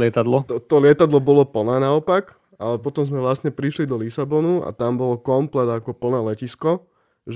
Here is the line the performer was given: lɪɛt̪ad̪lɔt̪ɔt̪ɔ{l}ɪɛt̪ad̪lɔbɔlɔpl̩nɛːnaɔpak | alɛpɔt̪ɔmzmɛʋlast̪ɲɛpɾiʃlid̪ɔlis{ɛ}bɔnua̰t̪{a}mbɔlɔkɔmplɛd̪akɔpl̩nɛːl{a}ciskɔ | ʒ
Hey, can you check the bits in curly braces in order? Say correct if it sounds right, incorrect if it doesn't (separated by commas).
correct, incorrect, correct, incorrect